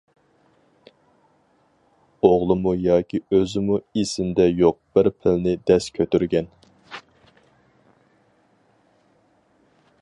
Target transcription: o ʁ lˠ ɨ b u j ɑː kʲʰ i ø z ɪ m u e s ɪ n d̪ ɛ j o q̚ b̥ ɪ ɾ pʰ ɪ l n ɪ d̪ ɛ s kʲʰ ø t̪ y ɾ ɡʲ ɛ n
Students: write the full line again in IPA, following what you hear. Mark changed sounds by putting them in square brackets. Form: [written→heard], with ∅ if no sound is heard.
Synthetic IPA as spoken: o ʁ lˠ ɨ [b→m] u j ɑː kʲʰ i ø z ɪ m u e s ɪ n d̪ ɛ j o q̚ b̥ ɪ ɾ pʰ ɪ l n ɪ d̪ ɛ s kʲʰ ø t̪ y ɾ ɡʲ ɛ n